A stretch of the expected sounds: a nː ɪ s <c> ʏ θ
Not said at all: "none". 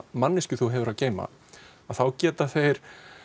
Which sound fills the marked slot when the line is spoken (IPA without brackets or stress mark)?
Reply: c